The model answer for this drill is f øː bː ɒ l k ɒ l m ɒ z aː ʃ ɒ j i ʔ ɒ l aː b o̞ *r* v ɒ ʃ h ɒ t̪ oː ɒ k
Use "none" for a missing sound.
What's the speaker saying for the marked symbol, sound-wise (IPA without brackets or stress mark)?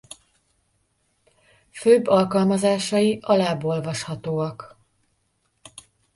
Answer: l